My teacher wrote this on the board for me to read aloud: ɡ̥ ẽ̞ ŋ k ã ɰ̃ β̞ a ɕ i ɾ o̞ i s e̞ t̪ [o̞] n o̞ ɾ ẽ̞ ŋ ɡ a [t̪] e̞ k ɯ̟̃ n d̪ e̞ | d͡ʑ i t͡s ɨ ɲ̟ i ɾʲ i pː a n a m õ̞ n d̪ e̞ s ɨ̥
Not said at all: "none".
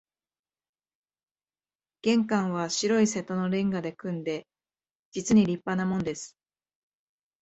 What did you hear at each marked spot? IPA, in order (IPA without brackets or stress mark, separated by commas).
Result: o̞, d̪